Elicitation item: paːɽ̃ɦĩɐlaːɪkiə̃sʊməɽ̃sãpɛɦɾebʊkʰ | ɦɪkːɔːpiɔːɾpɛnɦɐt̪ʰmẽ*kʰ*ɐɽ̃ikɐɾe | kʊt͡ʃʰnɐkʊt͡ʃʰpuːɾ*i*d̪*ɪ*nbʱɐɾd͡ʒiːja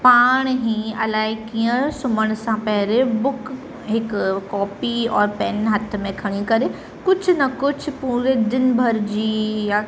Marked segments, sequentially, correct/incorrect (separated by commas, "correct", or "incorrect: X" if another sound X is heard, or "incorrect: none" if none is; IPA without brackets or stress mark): correct, incorrect: e, correct